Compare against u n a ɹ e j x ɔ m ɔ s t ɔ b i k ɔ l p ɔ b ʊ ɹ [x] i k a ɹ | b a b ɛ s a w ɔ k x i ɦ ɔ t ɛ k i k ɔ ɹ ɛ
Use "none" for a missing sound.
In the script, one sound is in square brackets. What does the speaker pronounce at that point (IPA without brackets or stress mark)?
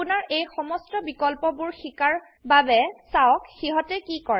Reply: x